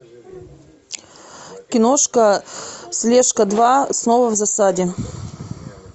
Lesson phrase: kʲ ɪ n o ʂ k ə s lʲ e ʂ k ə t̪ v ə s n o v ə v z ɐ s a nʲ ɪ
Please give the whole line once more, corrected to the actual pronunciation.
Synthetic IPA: kʲ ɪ n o ʂ k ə s lʲ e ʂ k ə d̪ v a s n o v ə v z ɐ s a dʲ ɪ